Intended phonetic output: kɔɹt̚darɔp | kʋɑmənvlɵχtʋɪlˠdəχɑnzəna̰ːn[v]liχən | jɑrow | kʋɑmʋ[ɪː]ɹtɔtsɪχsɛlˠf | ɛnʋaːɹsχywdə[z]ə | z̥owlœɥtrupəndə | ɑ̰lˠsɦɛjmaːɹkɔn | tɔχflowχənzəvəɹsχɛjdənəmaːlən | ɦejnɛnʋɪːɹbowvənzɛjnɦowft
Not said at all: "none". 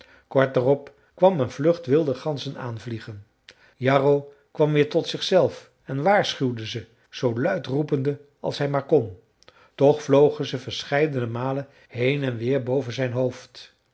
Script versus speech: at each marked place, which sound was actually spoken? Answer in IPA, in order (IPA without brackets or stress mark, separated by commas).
v, ɪː, z